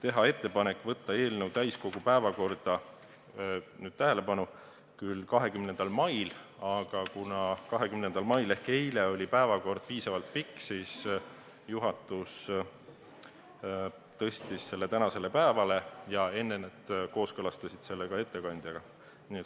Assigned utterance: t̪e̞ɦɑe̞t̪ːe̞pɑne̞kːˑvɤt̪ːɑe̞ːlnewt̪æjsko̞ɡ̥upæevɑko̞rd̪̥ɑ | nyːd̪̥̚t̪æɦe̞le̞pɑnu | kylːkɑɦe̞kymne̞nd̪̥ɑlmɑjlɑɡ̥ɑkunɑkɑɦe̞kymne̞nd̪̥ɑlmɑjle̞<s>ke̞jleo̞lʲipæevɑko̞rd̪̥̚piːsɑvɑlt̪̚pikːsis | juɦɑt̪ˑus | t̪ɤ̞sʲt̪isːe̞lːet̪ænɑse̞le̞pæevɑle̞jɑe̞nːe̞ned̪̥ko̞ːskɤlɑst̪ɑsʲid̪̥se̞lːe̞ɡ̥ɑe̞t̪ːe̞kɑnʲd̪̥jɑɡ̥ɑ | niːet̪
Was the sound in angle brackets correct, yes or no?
no